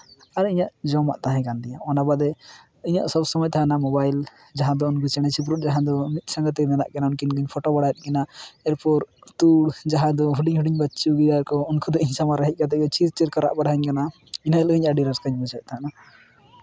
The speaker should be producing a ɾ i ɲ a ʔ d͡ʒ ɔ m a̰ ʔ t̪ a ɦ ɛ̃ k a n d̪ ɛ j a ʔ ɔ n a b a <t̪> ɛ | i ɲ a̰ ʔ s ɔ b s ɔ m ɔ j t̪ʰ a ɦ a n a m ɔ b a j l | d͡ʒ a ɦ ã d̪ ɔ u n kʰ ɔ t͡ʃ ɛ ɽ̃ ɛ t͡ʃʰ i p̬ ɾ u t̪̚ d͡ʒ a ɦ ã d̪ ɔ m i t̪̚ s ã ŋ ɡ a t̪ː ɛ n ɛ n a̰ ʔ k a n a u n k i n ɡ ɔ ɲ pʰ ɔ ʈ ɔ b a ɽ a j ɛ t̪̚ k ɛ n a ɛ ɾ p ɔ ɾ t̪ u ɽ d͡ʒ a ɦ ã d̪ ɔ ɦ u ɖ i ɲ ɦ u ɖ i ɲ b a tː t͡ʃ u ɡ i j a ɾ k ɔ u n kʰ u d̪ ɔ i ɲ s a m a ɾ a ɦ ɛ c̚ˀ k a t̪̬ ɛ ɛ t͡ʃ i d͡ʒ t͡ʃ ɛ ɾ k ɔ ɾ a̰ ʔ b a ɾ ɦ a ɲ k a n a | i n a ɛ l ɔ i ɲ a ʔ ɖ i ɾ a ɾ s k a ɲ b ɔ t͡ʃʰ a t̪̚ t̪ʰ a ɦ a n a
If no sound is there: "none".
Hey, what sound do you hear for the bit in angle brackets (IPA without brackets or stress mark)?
d̪